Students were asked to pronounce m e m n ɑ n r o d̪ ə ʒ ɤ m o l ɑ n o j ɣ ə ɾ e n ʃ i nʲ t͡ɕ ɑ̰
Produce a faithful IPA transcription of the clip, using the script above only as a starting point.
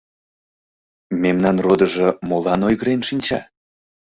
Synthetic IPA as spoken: m e m n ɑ n r o d̪ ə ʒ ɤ m o l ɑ n o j ɣ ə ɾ e n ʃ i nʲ t͡ɕ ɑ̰